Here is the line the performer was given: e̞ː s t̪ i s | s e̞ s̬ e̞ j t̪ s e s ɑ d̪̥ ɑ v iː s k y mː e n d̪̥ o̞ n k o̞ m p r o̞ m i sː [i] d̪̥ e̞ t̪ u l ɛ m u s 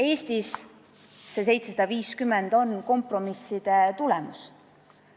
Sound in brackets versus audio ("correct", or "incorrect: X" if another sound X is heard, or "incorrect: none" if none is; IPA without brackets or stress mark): correct